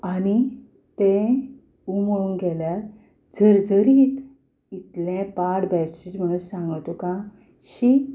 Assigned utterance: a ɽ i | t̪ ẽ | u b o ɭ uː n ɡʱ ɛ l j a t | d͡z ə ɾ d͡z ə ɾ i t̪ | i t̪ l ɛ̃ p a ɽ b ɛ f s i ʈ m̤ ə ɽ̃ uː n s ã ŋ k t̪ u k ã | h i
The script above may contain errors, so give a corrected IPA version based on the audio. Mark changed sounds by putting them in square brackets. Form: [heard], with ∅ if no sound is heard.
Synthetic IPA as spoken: a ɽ i | t̪ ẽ | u [m] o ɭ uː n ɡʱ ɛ l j a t | d͡z ə ɾ d͡z ə ɾ i t̪ | i t̪ l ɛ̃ p a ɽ b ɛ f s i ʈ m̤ ə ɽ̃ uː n s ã ŋ [ɡ] t̪ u k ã | [ɕ] i